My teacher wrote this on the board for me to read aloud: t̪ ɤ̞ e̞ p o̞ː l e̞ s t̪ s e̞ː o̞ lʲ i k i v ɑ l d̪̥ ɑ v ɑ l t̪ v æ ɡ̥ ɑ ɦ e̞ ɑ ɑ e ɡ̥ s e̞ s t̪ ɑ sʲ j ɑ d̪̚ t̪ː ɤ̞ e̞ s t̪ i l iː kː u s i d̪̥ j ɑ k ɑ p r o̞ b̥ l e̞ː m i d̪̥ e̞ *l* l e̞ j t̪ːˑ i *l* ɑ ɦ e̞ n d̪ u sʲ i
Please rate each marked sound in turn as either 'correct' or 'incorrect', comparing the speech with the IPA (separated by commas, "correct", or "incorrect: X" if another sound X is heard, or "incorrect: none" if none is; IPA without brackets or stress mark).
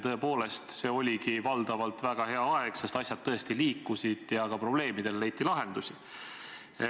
correct, correct